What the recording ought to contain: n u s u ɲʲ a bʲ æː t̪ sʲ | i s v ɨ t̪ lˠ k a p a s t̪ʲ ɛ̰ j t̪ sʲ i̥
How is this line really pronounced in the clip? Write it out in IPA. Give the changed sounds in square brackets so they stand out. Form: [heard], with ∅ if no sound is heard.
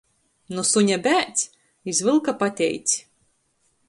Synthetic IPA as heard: n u s u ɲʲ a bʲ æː t̪ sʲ | i [z] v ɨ [∅] lˠ k a p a [∅] t̪ʲ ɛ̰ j t̪ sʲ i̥